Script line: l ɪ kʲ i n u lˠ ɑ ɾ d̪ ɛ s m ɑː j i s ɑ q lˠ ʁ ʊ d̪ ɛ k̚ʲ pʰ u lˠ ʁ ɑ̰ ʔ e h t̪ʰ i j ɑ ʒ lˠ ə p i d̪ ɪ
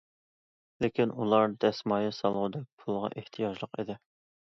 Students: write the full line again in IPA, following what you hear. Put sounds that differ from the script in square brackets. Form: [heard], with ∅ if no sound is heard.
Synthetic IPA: l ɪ kʲ i n u lˠ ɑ ɾ d̪ ɛ s m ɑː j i s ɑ [∅] lˠ ʁ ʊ d̪ ɛ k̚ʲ pʰ u lˠ ʁ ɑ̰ ʔ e h t̪ʰ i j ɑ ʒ lˠ ə [q] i d̪ ɪ